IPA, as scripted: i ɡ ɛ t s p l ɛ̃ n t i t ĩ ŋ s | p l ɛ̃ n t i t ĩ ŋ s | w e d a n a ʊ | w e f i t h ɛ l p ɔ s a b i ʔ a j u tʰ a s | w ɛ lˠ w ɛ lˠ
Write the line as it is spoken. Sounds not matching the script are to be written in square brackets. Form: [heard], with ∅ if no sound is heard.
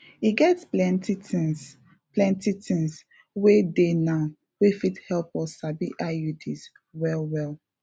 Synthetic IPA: i ɡ ɛ t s p l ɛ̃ n t i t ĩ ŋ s | p l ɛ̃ n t i t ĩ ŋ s | w e d [e] n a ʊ | w e f i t h ɛ l p ɔ s a b i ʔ a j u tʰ [i] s | w ɛ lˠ w ɛ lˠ